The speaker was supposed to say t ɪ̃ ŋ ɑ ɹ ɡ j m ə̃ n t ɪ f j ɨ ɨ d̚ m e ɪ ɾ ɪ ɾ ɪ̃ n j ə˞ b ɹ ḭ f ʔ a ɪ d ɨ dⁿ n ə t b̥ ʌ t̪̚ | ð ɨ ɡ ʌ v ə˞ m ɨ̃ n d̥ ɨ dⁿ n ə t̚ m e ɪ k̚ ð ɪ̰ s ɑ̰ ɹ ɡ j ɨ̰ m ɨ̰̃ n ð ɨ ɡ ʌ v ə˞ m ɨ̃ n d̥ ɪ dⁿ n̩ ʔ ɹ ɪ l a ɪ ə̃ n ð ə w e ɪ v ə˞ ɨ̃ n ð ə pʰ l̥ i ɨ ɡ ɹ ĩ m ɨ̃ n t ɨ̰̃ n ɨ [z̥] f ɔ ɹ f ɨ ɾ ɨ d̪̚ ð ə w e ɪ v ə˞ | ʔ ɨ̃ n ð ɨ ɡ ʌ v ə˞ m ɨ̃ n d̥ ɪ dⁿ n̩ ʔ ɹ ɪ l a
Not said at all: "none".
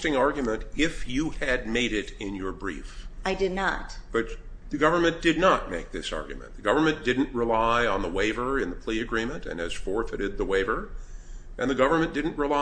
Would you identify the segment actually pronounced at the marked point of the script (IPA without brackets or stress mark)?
z̥